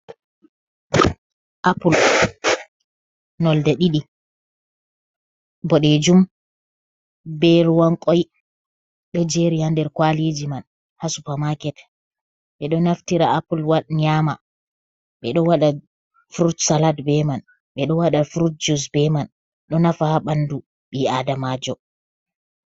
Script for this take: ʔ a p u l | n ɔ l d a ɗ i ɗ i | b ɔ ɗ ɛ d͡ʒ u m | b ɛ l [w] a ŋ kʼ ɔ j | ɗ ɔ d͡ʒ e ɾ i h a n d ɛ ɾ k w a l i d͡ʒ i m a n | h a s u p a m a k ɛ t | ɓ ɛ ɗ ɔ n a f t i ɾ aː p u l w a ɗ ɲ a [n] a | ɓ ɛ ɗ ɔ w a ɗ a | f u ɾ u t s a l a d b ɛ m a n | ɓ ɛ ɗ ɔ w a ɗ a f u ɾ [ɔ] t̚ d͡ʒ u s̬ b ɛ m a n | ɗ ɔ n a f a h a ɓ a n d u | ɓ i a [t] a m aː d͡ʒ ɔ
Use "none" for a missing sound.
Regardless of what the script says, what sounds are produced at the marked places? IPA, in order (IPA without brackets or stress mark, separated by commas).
w, m, u, d